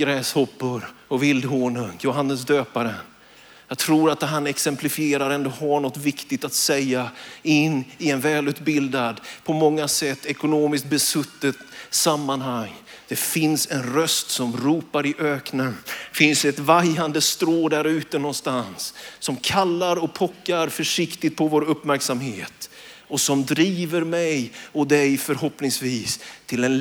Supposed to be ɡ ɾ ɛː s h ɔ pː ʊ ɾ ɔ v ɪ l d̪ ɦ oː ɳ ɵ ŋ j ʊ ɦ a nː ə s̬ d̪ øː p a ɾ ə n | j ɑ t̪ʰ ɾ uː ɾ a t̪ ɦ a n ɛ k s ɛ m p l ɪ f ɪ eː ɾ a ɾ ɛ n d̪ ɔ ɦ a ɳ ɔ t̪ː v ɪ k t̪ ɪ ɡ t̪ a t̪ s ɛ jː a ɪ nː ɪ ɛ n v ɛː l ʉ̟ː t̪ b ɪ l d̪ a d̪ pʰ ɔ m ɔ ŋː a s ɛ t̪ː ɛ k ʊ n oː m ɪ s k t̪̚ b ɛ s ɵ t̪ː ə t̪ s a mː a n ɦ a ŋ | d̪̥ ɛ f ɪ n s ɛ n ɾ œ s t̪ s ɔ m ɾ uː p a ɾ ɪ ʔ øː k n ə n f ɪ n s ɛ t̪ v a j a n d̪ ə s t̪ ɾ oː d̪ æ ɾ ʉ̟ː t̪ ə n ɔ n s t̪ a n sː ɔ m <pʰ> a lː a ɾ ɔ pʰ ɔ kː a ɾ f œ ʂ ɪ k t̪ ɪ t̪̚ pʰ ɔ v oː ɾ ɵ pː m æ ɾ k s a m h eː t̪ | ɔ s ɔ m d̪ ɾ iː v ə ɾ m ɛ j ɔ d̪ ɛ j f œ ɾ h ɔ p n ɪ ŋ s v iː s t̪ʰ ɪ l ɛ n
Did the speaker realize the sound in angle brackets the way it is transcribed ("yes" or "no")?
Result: no